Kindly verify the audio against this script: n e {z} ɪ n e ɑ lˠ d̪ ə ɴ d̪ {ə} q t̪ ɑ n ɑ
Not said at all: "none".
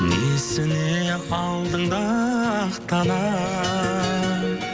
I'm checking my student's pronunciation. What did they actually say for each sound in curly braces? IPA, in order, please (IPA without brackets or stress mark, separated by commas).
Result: s, ɑ